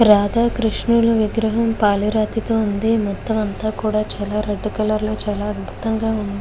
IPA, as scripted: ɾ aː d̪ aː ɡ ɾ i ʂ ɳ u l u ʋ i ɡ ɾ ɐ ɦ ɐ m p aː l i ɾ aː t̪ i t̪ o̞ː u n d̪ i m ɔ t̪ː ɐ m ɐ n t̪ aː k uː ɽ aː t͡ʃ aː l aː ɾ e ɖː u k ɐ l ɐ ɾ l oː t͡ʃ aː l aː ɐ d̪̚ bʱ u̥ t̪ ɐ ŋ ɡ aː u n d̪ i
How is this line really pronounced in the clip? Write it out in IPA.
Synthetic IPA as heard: ɾ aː d̪ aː k ɾ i ʂ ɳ u l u ʋ i ɡ ɾ ɐ ɦ ɐ m p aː l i ɾ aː t̪ i t̪ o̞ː u n d̪ i m ɔ t̪ː ɐ m ɐ n t̪ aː k uː ɽ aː t͡ʃ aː l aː ɾ e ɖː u k ɐ l ɐ ɾ l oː t͡ʃ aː l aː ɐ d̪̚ bʱ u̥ t̪ ɐ ŋ ɡ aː u n d̪ i